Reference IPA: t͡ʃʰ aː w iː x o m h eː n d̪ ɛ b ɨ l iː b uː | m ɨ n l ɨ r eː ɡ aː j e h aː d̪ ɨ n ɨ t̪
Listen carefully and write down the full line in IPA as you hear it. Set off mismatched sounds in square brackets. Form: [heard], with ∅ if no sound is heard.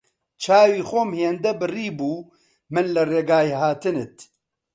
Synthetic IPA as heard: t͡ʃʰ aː w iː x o m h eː n d̪ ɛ b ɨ [r] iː b uː | m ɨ n l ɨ r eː ɡ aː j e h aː [t̪] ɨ n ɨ t̪

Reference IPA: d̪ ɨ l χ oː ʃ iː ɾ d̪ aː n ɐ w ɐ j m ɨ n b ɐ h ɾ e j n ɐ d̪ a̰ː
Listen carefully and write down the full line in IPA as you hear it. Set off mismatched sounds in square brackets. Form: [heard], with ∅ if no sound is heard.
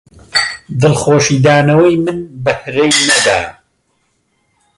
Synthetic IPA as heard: d̪ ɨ l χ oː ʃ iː [∅] d̪ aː n ɐ w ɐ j m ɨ n b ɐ h ɾ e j n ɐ d̪ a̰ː

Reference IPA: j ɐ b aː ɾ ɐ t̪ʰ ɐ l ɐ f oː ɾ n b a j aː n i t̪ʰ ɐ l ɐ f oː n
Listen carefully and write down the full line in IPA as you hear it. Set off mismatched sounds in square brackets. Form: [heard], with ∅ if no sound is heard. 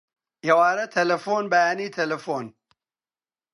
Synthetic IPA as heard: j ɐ [w] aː ɾ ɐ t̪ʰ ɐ l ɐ f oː [∅] n b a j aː n i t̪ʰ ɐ l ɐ f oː n

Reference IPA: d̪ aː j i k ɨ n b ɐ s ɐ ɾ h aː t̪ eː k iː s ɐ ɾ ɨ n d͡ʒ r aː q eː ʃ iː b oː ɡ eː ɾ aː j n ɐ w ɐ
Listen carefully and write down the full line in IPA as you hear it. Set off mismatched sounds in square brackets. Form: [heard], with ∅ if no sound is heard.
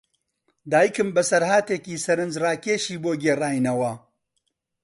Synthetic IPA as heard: d̪ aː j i k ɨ [m] b ɐ s ɐ ɾ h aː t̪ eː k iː s ɐ ɾ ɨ n d͡ʒ r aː [k] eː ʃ iː b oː ɡ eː [r] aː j n ɐ w ɐ

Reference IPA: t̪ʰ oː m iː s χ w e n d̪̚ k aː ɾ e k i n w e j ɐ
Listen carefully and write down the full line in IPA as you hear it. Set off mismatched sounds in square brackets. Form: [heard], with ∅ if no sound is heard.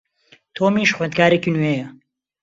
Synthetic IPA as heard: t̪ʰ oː m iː [ʃ] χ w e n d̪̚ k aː ɾ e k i n w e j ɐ

